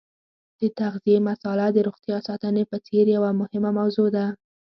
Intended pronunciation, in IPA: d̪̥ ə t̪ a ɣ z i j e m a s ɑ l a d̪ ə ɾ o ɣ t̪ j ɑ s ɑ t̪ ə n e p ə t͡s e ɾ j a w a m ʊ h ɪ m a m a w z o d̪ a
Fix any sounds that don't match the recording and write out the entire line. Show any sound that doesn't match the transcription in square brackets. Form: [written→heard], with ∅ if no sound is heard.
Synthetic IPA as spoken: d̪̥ ə t̪ a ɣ z i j e m a s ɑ l a d̪ ə ɾ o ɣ t̪ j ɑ s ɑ t̪ ə n e p ə t͡s e ɾ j a w a m ʊ h ɪ m a m a w z o d̪ a

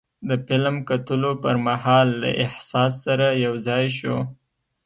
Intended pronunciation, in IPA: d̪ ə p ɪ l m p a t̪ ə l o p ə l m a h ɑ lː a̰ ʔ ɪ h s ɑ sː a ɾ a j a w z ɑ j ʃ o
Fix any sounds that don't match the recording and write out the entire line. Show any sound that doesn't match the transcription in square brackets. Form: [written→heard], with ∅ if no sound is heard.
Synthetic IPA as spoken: d̪ ə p ɪ l m [p→k] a t̪ ə l o p ə [l→ɾ] m a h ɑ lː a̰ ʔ ɪ h s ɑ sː a ɾ a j a w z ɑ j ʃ o

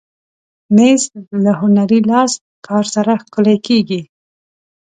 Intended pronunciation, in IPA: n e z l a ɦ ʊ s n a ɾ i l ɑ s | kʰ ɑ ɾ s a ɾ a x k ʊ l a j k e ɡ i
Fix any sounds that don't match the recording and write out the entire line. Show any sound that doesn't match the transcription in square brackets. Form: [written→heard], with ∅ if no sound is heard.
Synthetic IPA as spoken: [n→m] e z l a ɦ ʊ [s→∅] n a ɾ i l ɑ s | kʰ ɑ ɾ s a ɾ a x k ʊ l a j k e ɡ i

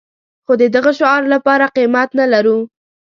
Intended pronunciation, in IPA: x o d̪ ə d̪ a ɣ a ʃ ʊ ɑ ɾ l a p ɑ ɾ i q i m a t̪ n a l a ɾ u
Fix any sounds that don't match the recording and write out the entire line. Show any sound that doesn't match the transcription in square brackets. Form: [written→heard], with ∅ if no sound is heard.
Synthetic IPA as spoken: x o d̪ ə d̪ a ɣ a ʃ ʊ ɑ ɾ l a p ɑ ɾ [i→a] q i m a t̪ n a l a ɾ u

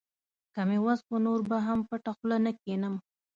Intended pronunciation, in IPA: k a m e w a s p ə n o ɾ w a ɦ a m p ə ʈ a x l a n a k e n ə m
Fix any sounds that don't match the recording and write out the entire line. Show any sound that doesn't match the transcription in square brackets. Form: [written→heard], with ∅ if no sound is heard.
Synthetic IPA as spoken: k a m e w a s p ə n o ɾ [w→b] a ɦ a m p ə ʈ a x l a n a k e n ə m

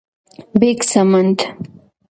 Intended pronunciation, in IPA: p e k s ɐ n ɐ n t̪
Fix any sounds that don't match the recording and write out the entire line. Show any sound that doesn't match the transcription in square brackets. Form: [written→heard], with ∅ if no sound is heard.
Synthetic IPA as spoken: [p→b] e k s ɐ [n→m] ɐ n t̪

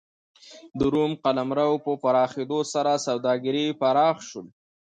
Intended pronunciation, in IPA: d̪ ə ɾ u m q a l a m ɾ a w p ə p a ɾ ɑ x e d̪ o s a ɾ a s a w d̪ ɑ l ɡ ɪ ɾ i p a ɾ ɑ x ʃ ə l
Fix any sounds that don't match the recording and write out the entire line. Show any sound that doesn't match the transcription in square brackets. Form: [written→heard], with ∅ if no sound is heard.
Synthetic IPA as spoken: d̪ ə ɾ u m q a l a m ɾ a w p ə p a ɾ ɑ x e d̪ o s a ɾ a s a w d̪ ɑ [l→∅] ɡ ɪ ɾ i p a ɾ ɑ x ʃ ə l

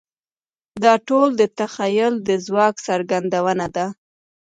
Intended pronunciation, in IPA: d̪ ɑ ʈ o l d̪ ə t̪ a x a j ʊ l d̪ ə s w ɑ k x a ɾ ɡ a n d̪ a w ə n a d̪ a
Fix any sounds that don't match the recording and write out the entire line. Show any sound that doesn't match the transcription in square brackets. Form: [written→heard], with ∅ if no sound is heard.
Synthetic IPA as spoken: d̪ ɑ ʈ o l d̪ ə t̪ a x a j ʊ l d̪ ə [s→z] w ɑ k [x→s] a ɾ ɡ a n d̪ a w ə n a d̪ a

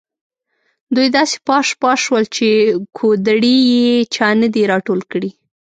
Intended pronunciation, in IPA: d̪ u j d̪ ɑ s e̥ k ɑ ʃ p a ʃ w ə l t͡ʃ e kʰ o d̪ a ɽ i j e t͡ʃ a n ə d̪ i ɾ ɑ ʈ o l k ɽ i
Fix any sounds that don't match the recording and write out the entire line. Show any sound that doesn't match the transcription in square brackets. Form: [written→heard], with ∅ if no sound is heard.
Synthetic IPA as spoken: d̪ u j d̪ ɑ s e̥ [k→p] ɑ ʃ p [a→ɑ] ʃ w ə l t͡ʃ e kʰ o d̪ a ɽ i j e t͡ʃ [a→ɑ] n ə d̪ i ɾ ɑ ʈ o l k ɽ i

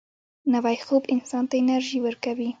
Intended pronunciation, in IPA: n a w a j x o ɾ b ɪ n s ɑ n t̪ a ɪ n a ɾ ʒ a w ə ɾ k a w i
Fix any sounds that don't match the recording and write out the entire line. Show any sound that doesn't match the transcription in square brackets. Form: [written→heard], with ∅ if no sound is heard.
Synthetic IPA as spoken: n a w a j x o [ɾ→∅] b ɪ n s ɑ n t̪ a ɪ n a ɾ ʒ [a→i] w ə ɾ k a w i

